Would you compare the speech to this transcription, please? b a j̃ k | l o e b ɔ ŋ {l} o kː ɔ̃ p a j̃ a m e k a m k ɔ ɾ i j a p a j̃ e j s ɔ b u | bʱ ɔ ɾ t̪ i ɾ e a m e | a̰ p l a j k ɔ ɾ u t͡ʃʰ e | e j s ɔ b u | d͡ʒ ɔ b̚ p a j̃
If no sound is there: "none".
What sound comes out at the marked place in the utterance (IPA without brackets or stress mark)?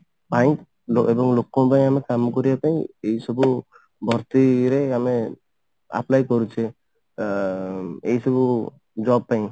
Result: l